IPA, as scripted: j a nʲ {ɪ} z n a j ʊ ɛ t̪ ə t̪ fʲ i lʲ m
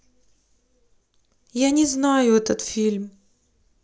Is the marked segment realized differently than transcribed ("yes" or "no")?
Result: no